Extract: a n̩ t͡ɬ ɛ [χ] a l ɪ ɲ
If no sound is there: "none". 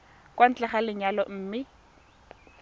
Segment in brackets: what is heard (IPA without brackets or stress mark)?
χ